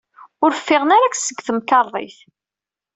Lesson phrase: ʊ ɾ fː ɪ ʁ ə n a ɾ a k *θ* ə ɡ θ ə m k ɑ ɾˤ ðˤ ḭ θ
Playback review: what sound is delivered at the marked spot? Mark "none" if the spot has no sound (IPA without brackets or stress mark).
s